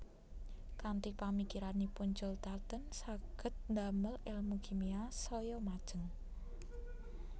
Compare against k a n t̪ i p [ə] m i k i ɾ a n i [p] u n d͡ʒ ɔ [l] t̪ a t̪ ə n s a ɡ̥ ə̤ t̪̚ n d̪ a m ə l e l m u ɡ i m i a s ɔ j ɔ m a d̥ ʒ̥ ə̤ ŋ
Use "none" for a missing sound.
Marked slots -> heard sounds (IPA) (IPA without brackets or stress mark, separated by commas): a, p, l